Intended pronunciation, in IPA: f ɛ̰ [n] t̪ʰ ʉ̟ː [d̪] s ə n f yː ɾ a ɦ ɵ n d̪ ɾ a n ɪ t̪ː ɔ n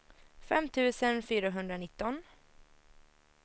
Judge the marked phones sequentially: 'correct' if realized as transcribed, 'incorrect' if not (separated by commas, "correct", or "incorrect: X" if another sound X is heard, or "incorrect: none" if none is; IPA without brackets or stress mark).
incorrect: m, incorrect: none